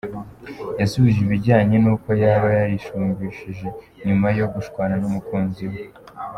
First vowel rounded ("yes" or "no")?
no